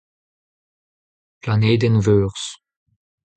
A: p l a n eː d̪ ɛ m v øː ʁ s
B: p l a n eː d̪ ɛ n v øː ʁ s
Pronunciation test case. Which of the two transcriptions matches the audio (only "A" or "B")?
B